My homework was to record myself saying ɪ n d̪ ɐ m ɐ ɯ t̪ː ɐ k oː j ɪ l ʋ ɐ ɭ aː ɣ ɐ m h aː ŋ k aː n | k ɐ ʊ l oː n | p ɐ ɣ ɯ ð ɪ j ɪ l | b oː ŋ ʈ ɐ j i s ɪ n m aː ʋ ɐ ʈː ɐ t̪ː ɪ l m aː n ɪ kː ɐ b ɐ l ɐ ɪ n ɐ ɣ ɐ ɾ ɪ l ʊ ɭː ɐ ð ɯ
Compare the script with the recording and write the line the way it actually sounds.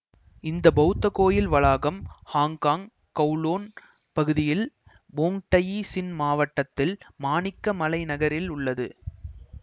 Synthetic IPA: ɪ n d̪ ɐ b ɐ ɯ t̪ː ɐ k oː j ɪ l ʋ ɐ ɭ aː ɣ ɐ m h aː ŋ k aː ŋ | k ɐ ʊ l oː n | p ɐ ɣ ɯ ð ɪ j ɪ l | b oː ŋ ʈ ɐ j i s ɪ n m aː ʋ ɐ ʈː ɐ t̪ː ɪ l m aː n ɪ kː ɐ m ɐ l ɐ ɪ n ɐ ɣ ɐ ɾ ɪ l ʊ ɭː ɐ ð ɯ